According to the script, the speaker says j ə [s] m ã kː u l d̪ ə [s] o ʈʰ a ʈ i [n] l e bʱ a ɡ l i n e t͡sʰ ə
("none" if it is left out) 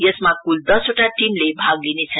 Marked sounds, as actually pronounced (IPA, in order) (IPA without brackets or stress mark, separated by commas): s, s, m